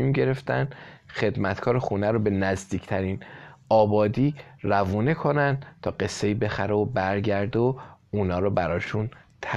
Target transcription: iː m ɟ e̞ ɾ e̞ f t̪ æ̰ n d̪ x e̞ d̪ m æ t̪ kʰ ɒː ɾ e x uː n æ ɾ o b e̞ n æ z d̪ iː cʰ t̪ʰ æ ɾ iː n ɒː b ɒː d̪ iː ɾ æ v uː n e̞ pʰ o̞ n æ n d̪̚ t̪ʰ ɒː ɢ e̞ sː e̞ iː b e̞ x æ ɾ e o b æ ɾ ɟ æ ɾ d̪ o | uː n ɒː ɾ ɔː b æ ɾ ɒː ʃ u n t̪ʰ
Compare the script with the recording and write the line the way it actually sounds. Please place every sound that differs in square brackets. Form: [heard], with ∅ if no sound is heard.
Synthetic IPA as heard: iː m ɟ e̞ ɾ e̞ f t̪ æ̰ n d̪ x e̞ d̪ m æ t̪ kʰ ɒː ɾ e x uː n æ ɾ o b e̞ n æ z d̪ iː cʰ t̪ʰ æ ɾ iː n ɒː b ɒː d̪ iː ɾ æ v uː n e̞ [kʰ] o̞ n æ n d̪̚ t̪ʰ ɒː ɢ e̞ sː e̞ iː b e̞ x æ ɾ e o b æ ɾ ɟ æ ɾ d̪ o | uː n ɒː ɾ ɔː b æ ɾ ɒː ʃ u n t̪ʰ